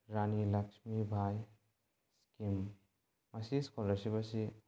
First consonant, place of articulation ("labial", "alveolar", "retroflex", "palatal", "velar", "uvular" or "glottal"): alveolar